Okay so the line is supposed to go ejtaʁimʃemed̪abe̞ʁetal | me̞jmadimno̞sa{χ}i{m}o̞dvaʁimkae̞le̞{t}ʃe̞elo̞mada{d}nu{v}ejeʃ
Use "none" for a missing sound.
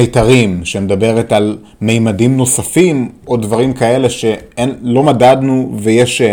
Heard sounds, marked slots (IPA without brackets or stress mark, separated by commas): f, m, none, d, v